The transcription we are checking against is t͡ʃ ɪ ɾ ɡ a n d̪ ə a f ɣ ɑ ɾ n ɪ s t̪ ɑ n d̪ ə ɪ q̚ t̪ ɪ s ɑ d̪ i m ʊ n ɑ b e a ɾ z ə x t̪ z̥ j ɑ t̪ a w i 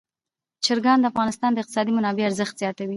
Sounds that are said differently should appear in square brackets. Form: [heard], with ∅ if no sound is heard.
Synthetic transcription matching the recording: t͡ʃ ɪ ɾ ɡ [ɑ] n d̪ ə a f ɣ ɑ [∅] n ɪ s t̪ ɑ n d̪ ə ɪ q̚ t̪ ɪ s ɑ d̪ i m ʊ n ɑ b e a ɾ z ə x t̪ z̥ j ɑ t̪ a w i